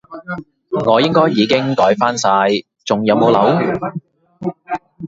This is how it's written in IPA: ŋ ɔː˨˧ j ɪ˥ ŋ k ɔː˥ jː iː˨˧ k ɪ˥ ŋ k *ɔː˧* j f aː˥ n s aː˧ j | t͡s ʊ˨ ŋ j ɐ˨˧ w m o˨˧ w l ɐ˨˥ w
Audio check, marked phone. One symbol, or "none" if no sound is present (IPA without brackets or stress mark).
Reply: ɔː˨˥